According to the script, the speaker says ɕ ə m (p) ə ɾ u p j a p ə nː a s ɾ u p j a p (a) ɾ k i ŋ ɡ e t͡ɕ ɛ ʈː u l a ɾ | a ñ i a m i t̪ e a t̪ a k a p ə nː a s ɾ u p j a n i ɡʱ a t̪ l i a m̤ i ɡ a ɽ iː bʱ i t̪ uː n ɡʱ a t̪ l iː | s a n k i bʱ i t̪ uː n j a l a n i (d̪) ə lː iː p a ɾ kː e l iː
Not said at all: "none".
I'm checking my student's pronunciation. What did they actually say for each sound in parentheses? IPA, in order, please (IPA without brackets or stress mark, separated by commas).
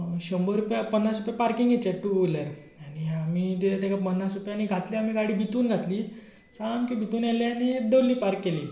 b, a, d̪